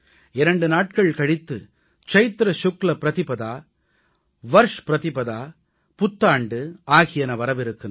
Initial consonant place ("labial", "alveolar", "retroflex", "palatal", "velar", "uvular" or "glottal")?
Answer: alveolar